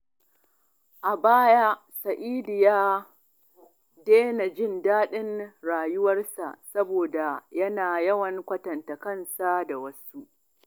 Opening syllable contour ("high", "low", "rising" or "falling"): low